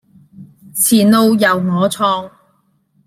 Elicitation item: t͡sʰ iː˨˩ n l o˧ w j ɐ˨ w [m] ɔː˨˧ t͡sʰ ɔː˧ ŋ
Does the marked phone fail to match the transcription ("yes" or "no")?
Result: yes